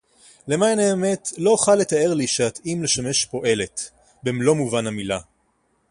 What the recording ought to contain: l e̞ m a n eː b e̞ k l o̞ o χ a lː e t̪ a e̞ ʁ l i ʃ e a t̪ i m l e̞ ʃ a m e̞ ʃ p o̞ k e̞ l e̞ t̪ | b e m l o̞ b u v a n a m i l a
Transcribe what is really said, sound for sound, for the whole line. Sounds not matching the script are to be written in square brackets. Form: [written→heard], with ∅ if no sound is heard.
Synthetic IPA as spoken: l e̞ m a n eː [b→m] e̞ [k→t] l o̞ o χ a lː e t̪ a e̞ ʁ l i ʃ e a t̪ i m l e̞ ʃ a m e̞ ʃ p o̞ [k→ʔ] e̞ l e̞ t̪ | b e m l o̞ [b→m] u v a n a m i l a